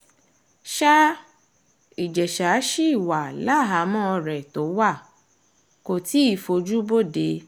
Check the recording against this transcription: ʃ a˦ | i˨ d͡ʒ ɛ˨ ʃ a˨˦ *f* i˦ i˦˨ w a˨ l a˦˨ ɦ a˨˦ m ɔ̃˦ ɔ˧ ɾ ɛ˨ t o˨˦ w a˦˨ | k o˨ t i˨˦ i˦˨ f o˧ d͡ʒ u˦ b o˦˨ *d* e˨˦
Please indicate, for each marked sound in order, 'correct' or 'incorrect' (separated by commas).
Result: incorrect, correct